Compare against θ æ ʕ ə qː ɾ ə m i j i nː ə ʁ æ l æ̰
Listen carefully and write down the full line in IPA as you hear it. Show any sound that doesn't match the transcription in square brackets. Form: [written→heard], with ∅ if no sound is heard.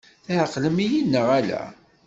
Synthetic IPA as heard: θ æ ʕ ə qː [ɾ→l] ə m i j i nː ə ʁ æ l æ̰